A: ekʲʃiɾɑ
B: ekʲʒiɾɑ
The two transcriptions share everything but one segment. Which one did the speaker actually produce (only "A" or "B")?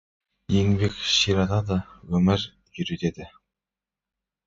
A